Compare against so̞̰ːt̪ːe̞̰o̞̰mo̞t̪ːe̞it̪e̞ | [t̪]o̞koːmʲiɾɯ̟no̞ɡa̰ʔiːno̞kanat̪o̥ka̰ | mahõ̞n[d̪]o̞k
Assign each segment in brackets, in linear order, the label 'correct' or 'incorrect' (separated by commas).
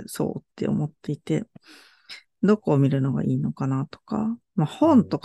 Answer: incorrect, incorrect